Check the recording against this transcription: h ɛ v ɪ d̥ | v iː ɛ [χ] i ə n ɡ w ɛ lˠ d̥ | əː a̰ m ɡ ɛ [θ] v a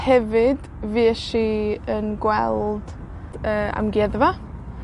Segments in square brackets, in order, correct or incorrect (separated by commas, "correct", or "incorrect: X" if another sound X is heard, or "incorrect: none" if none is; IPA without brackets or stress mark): incorrect: ʃ, incorrect: ð